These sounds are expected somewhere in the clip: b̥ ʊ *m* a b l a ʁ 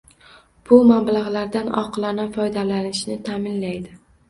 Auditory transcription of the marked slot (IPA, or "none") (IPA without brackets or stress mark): m